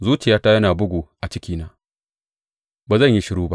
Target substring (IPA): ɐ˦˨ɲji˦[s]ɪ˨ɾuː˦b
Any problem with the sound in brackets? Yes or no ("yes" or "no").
yes